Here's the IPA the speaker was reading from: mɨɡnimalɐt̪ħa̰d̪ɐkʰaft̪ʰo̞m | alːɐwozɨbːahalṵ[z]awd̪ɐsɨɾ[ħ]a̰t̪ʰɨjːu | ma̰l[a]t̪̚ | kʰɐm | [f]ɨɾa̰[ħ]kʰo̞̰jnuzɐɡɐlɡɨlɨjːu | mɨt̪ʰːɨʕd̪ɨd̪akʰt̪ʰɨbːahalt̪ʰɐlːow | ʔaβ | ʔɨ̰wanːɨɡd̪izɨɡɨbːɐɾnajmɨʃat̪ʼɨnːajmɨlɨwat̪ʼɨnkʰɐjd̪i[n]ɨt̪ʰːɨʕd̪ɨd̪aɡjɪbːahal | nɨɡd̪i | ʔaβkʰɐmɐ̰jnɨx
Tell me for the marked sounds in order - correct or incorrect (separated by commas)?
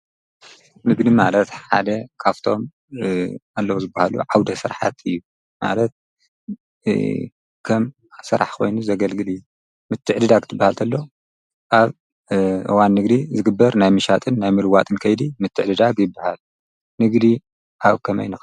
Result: incorrect, correct, incorrect, incorrect, correct, incorrect